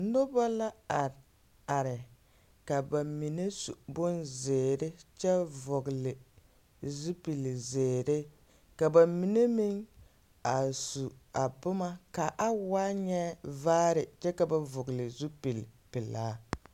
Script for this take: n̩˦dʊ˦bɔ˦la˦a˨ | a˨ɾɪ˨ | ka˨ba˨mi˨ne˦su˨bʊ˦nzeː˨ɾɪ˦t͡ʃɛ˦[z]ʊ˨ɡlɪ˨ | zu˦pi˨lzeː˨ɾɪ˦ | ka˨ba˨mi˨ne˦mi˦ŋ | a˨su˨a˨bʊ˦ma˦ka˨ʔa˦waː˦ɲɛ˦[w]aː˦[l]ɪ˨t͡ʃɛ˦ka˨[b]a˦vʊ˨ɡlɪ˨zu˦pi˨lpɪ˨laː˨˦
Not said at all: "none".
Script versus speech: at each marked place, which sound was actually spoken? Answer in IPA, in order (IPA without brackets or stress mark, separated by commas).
v, v, ɾ, b